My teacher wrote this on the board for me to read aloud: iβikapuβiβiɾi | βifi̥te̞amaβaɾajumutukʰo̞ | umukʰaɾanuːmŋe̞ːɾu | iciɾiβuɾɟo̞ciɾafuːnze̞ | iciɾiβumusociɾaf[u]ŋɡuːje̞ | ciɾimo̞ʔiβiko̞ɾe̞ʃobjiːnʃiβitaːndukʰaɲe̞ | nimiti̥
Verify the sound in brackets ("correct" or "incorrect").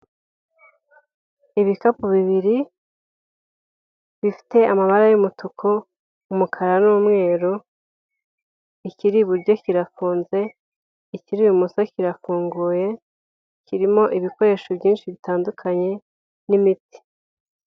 incorrect